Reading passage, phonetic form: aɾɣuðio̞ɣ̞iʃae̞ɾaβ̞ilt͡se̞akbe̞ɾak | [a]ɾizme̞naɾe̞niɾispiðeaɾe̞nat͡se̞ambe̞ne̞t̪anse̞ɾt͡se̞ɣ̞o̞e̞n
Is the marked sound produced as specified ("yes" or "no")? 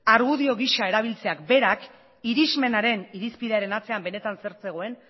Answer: no